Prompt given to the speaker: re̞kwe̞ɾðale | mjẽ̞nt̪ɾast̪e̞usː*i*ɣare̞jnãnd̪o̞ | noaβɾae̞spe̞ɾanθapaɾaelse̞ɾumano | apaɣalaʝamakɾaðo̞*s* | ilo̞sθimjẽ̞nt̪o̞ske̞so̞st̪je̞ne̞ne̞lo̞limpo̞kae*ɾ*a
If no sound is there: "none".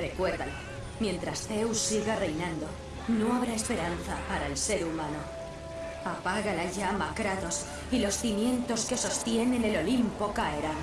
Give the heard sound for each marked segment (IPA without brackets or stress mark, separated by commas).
i, s, ɾ